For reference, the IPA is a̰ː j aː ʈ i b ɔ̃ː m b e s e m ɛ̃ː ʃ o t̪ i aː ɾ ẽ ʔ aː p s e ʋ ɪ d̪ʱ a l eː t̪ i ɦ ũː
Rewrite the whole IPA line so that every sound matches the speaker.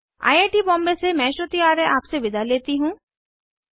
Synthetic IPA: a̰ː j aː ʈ i b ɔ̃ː m b e s e m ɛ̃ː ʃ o t̪ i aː ɾ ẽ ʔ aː p s e ʋ ɪ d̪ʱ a l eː t̪ i ɦ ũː